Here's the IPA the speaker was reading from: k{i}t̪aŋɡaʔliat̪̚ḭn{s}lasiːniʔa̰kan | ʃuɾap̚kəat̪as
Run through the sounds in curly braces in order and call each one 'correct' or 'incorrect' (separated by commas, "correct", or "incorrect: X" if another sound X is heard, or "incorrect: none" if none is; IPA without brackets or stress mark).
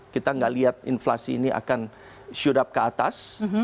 correct, incorrect: f